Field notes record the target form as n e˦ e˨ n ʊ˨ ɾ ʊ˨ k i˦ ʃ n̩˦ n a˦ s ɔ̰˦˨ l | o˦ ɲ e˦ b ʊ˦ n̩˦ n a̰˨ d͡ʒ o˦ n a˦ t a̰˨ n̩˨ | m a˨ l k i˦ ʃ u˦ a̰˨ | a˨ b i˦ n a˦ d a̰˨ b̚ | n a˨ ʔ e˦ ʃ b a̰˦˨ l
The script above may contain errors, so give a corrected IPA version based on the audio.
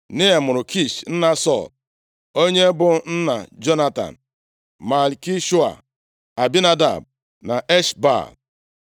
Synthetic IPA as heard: n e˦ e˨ m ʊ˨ ɾ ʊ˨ k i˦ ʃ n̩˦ n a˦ s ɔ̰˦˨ l | o˦ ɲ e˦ b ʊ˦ n̩˦ n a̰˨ d͡ʒ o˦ n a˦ t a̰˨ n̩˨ | m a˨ l k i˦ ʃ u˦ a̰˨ | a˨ b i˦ n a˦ d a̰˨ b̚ | n a˨ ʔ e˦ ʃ b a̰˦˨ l

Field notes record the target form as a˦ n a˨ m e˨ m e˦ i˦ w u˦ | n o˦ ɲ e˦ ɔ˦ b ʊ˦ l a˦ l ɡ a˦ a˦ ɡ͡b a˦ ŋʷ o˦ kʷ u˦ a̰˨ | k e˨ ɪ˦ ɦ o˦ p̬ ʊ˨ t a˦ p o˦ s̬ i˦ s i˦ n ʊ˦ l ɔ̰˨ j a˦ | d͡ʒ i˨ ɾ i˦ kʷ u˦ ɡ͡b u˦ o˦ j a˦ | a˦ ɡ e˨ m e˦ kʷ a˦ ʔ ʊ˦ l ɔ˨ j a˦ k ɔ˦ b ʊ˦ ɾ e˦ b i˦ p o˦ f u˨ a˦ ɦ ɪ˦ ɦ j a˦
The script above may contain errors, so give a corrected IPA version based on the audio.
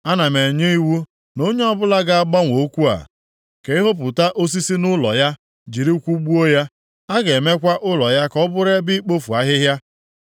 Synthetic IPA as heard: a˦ n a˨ m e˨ ɲ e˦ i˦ w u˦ | n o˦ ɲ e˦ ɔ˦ b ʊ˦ l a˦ ɡ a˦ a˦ ɡ͡b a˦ ŋʷ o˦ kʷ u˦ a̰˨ | k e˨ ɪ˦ ɦ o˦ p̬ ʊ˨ t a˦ ʔ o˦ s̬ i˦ s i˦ n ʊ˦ l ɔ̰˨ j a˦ | d͡ʒ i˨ ɾ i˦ kʷ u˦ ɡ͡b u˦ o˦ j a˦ | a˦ ɡ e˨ m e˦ kʷ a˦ ʔ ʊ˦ l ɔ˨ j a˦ k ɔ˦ b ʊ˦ ɾ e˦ b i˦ k͡p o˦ f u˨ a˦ ɦ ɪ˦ ɦ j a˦

